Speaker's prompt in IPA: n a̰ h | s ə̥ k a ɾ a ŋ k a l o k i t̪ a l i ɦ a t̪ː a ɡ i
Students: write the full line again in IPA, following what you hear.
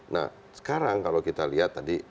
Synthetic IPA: n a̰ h | s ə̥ k a ɾ a ŋ k a l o k i t̪ a l i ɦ a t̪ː a d i